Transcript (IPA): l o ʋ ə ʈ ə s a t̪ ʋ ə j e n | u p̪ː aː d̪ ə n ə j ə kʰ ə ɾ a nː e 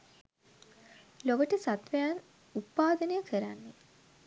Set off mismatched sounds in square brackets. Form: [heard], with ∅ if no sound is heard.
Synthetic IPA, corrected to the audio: l o ʋ ə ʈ ə s a t̪ ʋ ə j [a] n | u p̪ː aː d̪ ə n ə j ə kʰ ə ɾ a nː e